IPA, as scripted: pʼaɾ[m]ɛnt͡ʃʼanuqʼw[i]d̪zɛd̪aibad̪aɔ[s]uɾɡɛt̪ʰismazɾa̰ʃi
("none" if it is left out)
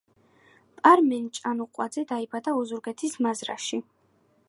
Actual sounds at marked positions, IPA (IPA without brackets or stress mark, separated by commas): m, a, z